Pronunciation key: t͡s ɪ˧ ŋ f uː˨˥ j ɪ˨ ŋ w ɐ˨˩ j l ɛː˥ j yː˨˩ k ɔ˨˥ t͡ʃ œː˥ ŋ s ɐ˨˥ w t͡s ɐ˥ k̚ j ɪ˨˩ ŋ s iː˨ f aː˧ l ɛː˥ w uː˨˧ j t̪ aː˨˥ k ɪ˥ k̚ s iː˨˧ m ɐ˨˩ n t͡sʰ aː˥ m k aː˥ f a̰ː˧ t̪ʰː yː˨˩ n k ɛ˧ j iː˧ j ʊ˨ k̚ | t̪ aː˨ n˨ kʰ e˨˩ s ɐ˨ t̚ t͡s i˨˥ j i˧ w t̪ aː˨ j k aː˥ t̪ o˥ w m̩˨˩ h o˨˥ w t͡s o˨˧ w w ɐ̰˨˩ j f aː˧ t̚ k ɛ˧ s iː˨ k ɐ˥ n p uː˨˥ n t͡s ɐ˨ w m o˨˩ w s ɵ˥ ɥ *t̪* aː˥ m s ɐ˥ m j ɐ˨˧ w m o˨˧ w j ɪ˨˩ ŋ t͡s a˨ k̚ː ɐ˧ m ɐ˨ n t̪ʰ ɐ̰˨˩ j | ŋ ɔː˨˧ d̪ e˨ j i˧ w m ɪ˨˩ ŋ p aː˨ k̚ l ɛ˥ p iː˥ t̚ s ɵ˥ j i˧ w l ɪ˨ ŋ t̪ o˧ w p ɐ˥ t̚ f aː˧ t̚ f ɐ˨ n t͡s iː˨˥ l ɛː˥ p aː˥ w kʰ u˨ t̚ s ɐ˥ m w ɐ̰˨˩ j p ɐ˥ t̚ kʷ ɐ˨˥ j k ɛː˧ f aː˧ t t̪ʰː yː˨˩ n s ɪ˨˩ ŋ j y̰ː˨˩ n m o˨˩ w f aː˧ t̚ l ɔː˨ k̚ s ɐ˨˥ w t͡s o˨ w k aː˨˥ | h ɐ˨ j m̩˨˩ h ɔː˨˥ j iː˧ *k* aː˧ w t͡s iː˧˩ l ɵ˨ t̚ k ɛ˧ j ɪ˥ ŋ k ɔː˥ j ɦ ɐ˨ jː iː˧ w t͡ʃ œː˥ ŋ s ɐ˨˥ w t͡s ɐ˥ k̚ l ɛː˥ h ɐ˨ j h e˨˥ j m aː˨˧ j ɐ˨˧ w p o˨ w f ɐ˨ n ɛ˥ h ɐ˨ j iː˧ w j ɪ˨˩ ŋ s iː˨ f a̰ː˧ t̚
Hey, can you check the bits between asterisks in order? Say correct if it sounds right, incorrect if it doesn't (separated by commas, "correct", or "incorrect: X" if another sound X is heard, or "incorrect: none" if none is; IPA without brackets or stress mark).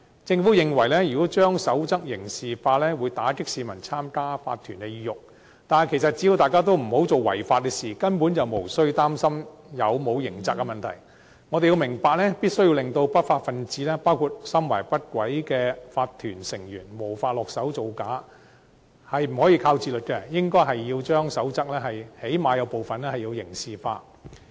correct, incorrect: kʰ